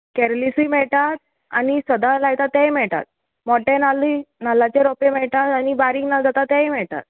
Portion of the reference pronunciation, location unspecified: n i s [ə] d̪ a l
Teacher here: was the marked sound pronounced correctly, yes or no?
yes